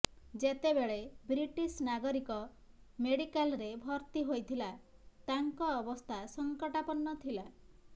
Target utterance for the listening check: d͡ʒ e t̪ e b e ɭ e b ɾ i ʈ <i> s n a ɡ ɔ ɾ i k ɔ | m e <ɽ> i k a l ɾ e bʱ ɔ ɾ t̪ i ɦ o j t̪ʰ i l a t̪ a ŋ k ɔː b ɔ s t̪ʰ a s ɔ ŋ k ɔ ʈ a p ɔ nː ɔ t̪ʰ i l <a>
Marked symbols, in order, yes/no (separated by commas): yes, yes, yes